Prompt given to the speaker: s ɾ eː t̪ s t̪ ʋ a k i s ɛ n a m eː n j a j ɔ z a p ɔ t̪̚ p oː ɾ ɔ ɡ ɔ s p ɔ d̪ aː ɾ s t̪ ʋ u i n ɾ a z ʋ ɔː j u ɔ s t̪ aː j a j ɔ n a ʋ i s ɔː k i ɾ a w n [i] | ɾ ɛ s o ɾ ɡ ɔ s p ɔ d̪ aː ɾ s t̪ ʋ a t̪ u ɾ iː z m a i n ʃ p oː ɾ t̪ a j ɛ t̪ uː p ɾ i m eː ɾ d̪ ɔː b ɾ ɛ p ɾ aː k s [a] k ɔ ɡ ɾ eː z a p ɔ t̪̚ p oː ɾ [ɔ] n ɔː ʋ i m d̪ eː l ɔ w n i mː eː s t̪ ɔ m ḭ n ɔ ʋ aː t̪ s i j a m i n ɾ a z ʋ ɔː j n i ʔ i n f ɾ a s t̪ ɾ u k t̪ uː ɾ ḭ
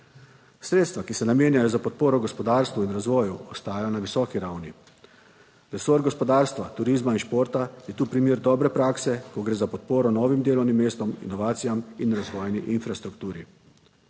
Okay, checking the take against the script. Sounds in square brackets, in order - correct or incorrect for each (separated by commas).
correct, incorrect, correct